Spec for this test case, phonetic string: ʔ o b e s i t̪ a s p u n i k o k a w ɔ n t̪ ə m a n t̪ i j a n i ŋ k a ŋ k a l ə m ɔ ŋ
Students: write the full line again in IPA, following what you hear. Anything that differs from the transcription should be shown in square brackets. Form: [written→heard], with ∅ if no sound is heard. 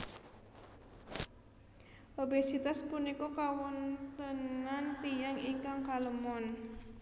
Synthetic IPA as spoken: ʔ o b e s i t̪ a s p u n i k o k a w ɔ n t̪ ə [m→n] a n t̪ i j a [n→ŋ] i ŋ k a ŋ k a l ə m ɔ [ŋ→n]